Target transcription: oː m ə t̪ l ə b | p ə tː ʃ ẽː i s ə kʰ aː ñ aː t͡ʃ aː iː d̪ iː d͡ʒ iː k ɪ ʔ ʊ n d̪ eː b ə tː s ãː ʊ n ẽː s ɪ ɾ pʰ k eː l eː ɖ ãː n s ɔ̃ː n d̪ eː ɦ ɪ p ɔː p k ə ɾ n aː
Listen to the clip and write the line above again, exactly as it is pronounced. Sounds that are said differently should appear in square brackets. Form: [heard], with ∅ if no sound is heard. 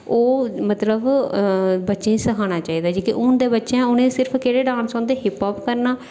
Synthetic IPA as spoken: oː m ə t̪ l ə b | [b] ə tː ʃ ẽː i s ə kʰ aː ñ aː t͡ʃ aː iː d̪ [aː] d͡ʒ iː k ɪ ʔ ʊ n d̪ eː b ə tː [ʃ] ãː ʊ n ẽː s ɪ ɾ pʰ k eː [ɽ] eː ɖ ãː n s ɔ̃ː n d̪ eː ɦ ɪ p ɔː p k ə ɾ n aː